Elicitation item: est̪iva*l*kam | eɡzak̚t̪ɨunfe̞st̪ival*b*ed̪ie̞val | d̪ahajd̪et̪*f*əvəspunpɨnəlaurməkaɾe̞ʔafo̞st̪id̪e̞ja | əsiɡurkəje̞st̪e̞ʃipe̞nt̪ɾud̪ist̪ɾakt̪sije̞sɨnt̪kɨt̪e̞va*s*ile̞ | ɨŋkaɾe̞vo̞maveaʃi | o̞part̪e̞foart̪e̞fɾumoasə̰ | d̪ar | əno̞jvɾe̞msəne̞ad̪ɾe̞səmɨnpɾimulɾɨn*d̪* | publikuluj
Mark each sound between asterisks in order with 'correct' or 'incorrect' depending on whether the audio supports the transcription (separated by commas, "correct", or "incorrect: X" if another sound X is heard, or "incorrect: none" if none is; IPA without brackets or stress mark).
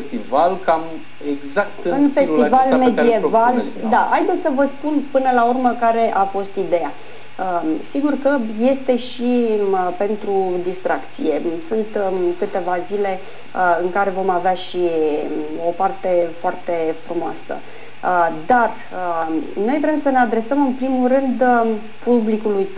correct, incorrect: m, incorrect: s, incorrect: z, correct